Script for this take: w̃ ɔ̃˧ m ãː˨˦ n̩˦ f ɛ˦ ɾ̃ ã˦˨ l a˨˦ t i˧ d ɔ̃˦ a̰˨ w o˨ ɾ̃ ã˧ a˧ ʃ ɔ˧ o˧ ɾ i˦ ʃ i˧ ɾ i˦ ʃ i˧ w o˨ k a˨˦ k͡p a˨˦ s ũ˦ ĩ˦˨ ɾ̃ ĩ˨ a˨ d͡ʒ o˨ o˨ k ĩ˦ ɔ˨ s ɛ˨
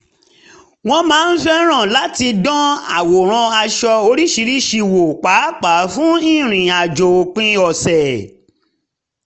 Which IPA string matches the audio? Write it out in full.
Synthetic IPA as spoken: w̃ ɔ̃˧ m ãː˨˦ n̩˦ f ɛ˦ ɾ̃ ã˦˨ l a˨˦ t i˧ d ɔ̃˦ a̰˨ w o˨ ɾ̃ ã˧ a˧ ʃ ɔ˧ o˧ ɾ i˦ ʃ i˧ ɾ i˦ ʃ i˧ w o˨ k͡p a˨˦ k͡p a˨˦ f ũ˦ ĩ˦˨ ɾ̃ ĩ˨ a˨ d͡ʒ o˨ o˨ k͡p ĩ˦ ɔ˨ s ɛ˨

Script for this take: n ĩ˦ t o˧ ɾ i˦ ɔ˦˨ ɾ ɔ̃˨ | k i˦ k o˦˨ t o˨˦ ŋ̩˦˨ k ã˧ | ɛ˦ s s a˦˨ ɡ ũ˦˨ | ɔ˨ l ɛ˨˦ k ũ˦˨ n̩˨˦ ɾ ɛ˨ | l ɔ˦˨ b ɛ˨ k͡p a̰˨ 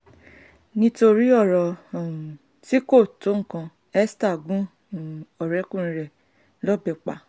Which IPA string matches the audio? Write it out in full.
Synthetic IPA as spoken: n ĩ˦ t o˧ ɾ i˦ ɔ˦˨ ɾ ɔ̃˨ | t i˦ k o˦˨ t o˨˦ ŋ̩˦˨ k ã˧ | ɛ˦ s t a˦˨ ɡ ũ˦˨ | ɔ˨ ɾ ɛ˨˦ k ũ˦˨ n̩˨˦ ɾ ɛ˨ | l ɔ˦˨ b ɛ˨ k͡p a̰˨

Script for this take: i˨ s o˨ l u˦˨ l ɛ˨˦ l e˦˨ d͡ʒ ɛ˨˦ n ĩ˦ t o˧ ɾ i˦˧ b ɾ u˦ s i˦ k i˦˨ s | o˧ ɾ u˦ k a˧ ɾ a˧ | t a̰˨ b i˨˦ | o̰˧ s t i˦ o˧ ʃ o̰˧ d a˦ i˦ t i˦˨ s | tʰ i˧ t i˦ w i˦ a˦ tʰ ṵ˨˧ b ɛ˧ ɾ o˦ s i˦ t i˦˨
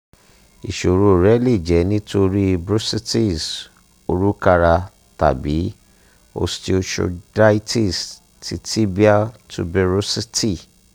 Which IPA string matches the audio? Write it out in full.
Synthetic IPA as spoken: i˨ ʃ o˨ ɾ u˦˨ ɾ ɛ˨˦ l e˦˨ d͡ʒ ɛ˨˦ n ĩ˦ t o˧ ɾ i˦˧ b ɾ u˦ s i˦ t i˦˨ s | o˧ ɾ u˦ k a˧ ɾ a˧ | t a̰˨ b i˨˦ | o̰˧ s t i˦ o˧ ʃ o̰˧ d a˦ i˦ t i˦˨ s | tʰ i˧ t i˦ b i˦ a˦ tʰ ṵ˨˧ b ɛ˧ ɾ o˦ s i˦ t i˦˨

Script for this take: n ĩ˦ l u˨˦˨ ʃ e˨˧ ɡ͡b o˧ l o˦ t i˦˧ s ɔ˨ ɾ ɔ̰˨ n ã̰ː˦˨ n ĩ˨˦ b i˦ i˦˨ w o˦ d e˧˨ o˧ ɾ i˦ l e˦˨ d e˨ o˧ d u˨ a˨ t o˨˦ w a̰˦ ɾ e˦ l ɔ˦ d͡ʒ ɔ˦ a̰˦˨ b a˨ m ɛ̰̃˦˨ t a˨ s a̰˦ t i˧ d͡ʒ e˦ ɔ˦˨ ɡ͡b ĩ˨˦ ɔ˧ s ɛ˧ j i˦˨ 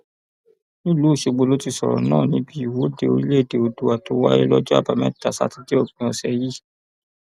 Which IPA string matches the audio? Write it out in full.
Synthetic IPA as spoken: n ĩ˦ l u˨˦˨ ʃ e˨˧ ɡ͡b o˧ l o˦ t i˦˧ s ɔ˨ ɾ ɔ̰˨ n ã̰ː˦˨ n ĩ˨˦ b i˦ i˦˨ w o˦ d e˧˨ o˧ ɾ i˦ l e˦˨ d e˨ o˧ d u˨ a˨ t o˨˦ w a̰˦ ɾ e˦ l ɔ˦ d͡ʒ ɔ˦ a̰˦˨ b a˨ m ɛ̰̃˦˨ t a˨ s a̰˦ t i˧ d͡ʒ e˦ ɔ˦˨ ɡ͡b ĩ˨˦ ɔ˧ s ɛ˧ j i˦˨

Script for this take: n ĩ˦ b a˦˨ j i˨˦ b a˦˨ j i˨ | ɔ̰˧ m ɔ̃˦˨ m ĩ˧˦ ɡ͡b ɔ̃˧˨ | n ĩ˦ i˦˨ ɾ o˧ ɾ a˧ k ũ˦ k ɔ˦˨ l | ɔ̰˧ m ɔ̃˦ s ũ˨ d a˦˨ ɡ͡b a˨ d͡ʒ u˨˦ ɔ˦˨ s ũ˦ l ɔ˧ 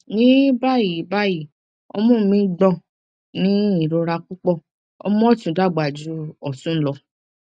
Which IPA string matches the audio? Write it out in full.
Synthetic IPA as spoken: n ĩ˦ b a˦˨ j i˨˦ b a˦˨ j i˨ | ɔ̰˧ m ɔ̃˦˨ m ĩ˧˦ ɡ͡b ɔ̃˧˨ | n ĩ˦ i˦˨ ɾ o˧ ɾ a˧ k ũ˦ k͡p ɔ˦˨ | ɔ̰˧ m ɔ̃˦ t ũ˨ d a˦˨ ɡ͡b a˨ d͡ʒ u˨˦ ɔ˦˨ s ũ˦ l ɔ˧

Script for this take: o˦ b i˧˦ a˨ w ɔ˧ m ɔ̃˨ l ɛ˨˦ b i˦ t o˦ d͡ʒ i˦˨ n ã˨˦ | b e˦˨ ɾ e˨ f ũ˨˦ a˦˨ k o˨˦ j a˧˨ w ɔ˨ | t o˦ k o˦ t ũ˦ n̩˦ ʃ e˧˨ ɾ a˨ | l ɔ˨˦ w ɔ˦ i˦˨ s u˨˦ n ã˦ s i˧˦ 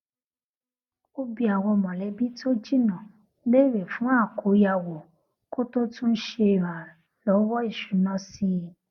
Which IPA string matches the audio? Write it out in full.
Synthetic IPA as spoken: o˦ b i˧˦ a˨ w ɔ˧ m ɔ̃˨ l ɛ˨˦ b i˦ t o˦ d͡ʒ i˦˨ n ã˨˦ | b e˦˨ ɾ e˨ f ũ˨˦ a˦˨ k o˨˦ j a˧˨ w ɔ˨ | k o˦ t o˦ t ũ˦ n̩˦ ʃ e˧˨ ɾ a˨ | l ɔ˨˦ w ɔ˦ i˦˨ ʃ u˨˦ n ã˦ s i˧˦

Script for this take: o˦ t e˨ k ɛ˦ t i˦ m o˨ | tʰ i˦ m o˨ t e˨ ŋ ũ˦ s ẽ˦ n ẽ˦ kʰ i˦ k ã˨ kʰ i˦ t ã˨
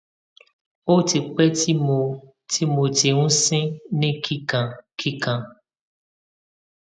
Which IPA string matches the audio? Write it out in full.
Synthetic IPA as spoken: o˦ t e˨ k͡p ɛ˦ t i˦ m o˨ | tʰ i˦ m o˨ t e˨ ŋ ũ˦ s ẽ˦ n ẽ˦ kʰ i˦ k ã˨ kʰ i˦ k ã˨

